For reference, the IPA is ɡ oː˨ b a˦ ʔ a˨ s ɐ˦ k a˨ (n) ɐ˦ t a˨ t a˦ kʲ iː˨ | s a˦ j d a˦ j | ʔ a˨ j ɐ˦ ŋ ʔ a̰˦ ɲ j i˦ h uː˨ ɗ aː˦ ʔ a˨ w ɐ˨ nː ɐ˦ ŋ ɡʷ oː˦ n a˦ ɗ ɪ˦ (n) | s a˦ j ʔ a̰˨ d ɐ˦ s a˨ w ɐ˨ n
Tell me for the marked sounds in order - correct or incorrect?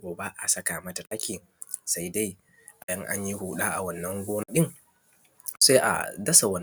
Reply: incorrect: m, incorrect: ŋ

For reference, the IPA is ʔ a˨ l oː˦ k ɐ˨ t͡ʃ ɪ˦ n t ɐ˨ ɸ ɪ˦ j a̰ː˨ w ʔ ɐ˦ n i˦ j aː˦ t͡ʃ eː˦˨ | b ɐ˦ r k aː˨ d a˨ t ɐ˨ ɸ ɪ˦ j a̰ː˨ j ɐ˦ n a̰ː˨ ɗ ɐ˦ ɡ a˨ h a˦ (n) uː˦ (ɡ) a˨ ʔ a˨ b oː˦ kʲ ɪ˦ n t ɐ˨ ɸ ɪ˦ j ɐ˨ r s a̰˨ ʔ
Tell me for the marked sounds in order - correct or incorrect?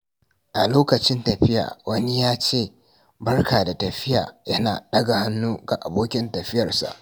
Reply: incorrect: nː, correct

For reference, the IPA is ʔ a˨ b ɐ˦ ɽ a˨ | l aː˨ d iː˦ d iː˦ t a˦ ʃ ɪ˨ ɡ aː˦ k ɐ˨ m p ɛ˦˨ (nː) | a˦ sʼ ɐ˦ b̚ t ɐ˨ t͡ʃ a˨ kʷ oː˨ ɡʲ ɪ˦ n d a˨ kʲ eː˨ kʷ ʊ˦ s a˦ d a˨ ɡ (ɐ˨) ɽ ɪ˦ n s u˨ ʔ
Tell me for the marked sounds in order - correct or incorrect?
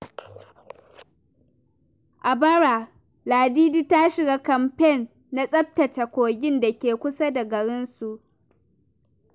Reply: correct, correct

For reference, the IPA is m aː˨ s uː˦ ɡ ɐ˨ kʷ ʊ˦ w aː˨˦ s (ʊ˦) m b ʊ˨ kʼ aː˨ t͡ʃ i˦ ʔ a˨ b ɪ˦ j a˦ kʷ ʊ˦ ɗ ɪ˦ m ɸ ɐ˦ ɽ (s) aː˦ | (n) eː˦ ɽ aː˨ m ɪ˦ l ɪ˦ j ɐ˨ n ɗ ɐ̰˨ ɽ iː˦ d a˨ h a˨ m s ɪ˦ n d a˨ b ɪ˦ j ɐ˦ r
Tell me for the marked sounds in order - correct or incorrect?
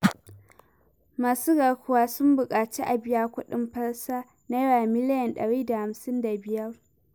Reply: correct, correct, correct

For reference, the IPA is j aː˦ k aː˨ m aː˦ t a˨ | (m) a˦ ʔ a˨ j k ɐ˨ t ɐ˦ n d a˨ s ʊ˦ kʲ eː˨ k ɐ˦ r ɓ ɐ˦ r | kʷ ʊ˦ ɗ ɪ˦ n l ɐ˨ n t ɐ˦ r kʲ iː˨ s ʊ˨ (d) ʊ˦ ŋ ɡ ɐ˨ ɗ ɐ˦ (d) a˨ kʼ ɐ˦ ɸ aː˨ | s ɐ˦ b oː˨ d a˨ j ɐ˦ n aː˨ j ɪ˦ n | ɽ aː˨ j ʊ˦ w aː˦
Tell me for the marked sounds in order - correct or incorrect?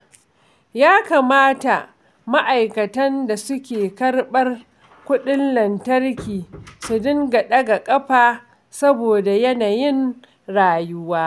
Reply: correct, correct, incorrect: ɡ

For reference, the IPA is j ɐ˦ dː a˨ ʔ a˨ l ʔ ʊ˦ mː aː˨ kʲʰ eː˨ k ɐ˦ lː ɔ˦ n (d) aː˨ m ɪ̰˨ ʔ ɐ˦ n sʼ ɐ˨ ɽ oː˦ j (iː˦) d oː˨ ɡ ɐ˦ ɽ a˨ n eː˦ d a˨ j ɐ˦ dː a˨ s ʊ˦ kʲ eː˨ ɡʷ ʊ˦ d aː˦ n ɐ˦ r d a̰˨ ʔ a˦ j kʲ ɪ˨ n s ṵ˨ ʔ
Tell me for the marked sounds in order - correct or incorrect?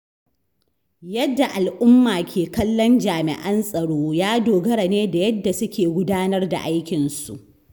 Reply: incorrect: d͡ʒ, incorrect: aː˦

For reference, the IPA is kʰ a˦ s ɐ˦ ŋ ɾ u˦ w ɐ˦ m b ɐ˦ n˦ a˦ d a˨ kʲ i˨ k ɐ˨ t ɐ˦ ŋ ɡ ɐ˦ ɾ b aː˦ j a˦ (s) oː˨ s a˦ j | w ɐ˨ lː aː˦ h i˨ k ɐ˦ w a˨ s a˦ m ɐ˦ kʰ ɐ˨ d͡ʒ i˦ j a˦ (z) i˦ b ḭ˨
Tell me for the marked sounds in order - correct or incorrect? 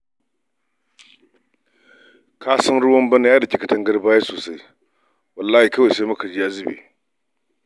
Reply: correct, correct

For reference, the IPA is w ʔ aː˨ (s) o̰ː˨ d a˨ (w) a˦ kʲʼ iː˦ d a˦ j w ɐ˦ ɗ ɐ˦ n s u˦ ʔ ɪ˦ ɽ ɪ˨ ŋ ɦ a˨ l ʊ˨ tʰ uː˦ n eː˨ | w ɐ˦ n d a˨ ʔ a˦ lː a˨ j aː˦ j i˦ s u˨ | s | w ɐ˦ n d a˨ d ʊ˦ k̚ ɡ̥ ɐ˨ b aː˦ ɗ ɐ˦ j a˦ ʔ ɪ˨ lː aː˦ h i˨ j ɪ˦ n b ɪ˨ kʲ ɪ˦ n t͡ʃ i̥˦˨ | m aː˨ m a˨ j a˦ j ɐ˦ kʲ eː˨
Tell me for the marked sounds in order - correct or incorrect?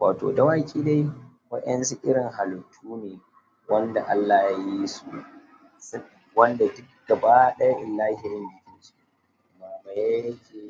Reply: incorrect: t, correct

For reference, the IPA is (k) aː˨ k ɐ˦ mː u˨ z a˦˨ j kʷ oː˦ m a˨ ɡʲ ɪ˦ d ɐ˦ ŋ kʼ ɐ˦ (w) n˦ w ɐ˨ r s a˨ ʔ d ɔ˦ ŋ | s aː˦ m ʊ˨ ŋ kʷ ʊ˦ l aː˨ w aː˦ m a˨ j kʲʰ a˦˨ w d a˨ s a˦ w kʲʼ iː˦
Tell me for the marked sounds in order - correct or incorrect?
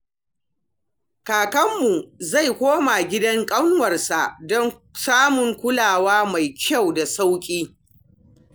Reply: correct, correct

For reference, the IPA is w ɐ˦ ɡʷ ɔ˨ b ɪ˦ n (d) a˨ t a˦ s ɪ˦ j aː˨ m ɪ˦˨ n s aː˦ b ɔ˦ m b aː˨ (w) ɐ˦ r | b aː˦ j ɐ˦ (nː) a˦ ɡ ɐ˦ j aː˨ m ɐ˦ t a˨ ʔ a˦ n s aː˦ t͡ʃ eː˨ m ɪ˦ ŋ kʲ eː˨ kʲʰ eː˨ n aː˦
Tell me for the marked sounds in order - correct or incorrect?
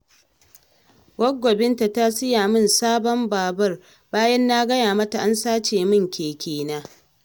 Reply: incorrect: t, incorrect: b, correct

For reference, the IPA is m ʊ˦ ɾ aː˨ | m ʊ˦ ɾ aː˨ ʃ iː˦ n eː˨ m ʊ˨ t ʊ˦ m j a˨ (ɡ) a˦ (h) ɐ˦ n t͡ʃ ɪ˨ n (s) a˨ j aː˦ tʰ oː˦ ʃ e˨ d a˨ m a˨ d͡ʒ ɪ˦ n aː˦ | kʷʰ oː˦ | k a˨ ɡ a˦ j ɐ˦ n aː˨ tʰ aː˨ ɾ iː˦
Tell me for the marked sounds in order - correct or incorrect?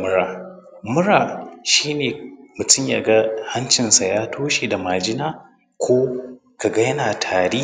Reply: correct, correct, correct

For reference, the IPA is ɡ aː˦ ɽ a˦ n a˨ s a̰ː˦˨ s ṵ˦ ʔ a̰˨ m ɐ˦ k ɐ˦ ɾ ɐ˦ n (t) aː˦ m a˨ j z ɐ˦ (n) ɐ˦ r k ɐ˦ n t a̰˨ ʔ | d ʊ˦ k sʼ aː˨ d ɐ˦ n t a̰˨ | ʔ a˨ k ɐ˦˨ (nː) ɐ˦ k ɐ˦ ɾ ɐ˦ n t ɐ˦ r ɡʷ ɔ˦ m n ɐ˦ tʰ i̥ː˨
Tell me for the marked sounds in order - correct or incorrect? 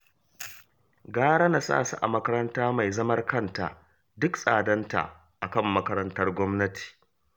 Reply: correct, incorrect: m, incorrect: mː

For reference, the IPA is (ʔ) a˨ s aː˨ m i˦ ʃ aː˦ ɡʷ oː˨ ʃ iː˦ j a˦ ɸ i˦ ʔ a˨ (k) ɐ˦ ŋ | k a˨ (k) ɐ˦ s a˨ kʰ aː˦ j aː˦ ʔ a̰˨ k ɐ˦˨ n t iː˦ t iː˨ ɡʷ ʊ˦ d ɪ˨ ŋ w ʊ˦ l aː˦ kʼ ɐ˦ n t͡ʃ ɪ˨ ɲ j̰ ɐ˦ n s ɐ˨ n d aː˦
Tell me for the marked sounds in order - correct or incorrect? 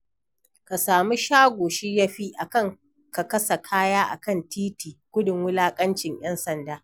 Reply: incorrect: k, correct, correct

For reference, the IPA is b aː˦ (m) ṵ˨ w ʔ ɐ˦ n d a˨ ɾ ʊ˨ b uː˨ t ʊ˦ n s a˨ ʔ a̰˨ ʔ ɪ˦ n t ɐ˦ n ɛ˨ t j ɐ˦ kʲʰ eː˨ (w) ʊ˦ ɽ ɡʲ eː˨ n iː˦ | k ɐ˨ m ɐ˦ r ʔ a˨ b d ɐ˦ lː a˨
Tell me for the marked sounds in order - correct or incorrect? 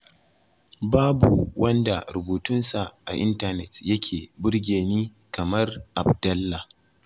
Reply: incorrect: b, incorrect: b

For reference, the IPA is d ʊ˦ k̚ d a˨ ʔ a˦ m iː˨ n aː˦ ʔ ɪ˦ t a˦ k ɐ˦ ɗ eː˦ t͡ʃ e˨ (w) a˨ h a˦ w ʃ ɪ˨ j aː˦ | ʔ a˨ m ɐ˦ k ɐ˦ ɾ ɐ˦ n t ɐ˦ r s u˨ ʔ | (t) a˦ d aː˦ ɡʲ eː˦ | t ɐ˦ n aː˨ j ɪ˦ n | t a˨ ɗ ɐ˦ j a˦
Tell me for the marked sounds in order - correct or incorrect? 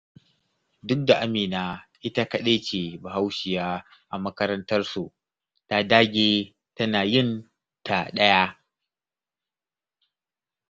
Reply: incorrect: b, correct

